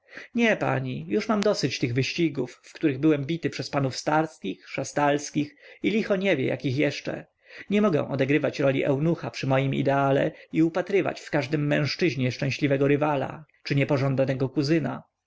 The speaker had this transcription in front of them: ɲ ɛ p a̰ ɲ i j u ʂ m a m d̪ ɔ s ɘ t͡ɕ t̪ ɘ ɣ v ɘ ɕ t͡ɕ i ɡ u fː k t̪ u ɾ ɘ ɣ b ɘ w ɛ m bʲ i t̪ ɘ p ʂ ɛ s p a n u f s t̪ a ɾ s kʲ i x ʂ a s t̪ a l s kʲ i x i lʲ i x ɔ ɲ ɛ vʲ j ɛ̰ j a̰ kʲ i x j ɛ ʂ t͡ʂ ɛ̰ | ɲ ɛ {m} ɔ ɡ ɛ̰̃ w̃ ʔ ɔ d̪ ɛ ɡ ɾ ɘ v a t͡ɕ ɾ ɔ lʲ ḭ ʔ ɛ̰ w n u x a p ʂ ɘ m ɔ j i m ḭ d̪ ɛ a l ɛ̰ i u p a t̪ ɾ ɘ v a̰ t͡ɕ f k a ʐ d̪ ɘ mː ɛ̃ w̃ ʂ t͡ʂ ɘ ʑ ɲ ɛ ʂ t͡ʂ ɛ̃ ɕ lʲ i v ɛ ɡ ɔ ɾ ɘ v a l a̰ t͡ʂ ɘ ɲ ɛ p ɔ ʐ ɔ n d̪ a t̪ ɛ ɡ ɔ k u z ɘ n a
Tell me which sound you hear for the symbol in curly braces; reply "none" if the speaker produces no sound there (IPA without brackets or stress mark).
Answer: m